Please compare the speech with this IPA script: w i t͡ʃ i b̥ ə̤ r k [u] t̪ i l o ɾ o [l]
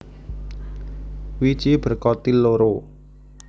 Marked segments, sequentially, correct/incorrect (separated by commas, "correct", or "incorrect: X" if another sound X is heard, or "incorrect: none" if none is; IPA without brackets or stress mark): incorrect: ɔ, incorrect: none